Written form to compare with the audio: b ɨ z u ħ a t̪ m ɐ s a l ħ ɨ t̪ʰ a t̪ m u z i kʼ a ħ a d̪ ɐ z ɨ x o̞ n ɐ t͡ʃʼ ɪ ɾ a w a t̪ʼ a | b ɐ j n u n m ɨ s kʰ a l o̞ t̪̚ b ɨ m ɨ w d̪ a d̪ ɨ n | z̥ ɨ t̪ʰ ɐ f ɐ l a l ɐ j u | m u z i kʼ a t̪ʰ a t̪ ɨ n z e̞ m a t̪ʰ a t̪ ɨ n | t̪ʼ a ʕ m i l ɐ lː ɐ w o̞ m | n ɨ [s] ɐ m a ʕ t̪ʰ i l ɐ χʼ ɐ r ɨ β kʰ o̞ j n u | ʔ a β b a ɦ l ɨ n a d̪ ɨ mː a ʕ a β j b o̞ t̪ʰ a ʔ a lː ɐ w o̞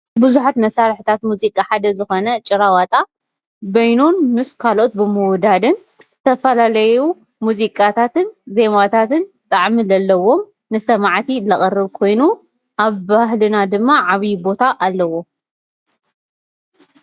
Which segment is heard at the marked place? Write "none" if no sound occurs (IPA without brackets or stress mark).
s